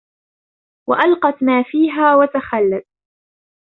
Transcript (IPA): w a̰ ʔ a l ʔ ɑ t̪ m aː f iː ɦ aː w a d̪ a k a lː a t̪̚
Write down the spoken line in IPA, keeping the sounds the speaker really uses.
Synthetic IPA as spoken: w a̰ ʔ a l q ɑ t̪ m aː f iː ɦ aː w a t̪ a x a lː a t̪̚

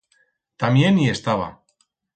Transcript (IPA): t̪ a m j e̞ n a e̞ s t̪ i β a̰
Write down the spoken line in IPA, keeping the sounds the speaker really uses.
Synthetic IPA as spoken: t̪ a m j e̞ n i e̞ s t̪ a β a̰

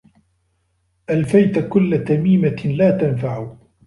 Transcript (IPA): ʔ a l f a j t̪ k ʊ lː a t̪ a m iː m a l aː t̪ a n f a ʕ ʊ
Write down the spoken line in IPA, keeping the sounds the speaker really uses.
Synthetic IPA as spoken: ʔ a l f a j t̪ k ʊ lː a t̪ a m iː m a l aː t̪ a n f a ʕ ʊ

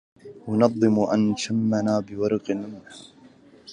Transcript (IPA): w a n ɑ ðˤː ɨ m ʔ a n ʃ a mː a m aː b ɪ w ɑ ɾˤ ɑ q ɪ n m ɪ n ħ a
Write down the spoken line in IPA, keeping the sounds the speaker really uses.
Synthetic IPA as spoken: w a n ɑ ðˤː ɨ m ʔ a n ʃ a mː a n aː b ɪ w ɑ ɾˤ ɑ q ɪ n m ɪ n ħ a

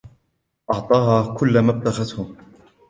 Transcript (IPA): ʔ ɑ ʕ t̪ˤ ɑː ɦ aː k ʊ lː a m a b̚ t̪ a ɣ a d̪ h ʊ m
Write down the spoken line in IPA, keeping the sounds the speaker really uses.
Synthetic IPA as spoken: ʔ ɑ ʕ t̪ˤ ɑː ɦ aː k ʊ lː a m a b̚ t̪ a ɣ a t̪ h ʊ m

